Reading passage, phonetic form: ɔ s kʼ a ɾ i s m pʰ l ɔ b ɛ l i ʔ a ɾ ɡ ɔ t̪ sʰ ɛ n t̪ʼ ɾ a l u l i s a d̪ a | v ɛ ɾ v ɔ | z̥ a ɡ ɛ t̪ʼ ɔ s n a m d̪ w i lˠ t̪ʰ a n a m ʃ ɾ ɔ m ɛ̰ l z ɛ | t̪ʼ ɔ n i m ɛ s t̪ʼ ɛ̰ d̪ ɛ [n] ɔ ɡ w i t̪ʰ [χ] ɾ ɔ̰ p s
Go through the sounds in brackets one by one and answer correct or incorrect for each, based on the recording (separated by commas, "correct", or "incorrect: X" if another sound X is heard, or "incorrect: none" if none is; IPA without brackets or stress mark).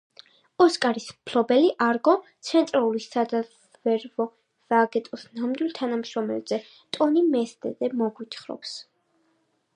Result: incorrect: m, correct